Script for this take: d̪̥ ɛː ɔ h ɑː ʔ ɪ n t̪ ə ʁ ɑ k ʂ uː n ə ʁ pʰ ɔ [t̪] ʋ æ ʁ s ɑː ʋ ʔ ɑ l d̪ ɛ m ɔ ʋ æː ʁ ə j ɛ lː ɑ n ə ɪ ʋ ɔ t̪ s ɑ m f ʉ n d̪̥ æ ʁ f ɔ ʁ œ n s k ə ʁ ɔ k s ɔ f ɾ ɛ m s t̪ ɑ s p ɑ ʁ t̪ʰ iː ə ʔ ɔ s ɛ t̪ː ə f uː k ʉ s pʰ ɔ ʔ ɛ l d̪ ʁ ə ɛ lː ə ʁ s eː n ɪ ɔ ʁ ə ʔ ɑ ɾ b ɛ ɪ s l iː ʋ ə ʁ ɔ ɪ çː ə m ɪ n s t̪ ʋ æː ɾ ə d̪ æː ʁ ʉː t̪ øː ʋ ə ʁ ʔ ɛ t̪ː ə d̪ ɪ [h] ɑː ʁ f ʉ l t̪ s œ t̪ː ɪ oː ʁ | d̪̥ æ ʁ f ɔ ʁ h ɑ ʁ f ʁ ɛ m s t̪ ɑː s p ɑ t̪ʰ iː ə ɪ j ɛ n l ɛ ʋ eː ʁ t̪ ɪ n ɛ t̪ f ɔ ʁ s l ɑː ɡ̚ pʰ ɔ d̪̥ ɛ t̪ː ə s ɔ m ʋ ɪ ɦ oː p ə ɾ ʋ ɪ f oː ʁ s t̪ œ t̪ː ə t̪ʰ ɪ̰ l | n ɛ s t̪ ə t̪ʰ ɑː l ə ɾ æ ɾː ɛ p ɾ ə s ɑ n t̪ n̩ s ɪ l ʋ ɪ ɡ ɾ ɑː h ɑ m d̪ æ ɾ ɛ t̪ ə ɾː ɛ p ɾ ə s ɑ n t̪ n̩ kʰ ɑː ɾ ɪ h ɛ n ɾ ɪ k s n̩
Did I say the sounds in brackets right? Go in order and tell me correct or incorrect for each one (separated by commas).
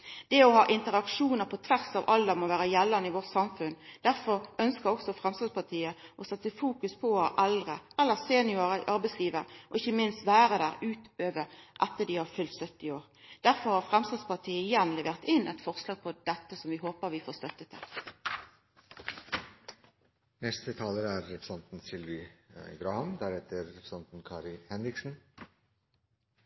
incorrect, correct